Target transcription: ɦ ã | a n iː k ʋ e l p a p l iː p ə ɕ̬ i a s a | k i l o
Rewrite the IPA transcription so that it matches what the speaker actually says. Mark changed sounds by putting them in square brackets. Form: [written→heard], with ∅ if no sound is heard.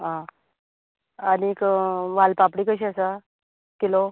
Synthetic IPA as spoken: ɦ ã | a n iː k ʋ [e→a] l p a p [l→ɽ] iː [p→k] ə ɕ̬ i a s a | k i l o